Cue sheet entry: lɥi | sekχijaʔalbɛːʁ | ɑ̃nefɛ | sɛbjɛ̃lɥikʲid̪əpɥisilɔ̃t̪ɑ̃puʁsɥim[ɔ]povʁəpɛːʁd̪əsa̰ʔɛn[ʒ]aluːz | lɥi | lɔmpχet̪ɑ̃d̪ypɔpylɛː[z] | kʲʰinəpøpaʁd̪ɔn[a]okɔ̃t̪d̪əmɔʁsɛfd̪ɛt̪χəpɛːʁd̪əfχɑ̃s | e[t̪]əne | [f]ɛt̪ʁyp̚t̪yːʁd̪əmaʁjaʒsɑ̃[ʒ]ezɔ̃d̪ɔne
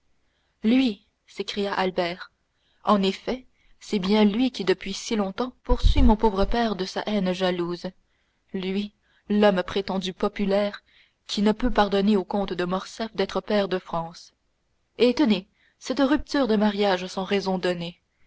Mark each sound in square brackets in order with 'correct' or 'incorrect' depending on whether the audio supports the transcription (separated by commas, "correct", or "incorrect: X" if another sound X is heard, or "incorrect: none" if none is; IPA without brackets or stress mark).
incorrect: ɔ̃, correct, incorrect: ʁ, incorrect: e, correct, incorrect: s, incorrect: ʁ